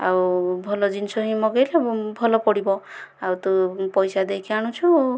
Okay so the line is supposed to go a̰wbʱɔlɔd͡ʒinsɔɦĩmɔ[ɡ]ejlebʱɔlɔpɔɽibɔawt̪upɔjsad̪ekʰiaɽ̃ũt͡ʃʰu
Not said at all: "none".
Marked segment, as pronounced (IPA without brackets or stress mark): ɡ